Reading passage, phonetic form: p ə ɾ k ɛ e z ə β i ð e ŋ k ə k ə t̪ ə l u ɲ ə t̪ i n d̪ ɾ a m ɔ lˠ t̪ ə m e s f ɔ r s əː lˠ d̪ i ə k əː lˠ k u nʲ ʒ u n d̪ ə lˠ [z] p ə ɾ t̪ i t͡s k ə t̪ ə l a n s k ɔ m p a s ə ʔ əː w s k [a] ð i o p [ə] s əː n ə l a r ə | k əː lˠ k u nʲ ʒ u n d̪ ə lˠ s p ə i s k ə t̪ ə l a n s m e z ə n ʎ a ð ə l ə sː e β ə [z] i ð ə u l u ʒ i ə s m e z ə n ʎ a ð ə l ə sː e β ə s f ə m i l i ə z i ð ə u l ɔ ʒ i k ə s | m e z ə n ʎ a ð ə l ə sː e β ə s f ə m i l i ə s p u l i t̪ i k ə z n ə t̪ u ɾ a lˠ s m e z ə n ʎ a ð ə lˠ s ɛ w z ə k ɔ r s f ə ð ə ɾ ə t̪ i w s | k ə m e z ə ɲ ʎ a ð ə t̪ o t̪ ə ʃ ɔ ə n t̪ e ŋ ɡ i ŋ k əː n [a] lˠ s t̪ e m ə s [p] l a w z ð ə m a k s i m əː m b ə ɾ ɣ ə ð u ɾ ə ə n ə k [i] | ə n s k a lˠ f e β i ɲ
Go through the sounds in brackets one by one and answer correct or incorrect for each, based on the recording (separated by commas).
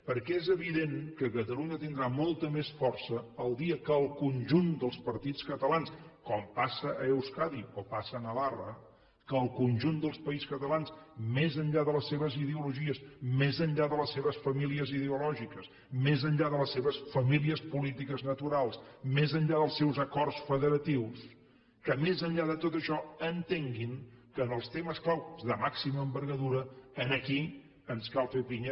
incorrect, correct, incorrect, correct, incorrect, incorrect, correct